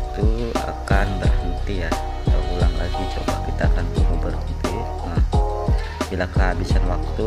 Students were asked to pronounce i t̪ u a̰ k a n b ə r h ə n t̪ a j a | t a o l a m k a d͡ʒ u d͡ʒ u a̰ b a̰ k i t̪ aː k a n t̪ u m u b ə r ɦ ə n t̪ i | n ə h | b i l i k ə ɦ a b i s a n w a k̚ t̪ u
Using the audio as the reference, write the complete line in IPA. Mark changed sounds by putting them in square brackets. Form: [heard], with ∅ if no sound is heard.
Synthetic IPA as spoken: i t̪ u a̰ k a n b ə r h ə n t̪ [i] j a | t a [u] l a [ŋ] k a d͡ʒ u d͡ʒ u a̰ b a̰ k i t̪ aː k a n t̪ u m u b ə r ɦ ə n t̪ i | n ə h | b i l [a] k ə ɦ a b i s a n w a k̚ t̪ u